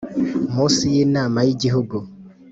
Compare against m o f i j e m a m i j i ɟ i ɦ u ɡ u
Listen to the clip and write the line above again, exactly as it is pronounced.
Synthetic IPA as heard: m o s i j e n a m a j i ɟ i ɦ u ɡ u